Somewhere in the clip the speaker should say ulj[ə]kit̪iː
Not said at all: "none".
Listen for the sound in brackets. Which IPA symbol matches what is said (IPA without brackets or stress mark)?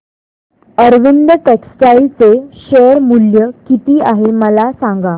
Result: ə